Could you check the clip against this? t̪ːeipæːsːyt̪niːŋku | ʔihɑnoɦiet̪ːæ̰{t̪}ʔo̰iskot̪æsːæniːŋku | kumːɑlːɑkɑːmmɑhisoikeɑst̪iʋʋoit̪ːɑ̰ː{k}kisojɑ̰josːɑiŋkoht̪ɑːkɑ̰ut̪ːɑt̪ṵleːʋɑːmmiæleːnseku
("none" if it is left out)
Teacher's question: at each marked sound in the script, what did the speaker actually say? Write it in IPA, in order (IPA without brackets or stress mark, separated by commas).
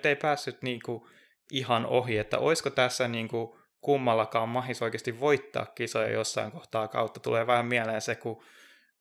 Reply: none, k